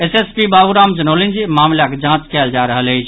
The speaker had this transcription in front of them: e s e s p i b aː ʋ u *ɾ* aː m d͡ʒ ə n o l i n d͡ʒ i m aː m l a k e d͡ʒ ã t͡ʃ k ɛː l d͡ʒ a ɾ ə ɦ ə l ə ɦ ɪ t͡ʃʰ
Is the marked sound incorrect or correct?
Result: correct